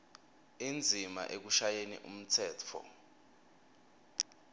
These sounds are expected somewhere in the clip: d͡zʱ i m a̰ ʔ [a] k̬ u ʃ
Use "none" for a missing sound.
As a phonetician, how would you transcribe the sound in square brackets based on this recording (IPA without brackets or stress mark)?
e